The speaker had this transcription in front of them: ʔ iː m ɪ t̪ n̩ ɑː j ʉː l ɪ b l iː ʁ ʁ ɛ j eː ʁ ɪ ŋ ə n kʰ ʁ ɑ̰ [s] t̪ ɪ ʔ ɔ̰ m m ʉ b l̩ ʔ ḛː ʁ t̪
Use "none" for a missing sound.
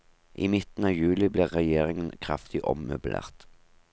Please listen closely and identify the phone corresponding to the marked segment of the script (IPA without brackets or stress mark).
f